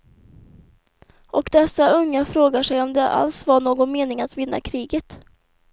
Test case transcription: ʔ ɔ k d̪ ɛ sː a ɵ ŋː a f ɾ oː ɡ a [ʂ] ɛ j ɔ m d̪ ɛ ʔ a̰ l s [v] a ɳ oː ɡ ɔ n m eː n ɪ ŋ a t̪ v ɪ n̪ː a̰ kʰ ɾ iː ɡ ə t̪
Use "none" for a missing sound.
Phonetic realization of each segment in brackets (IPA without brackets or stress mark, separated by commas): ʂ, v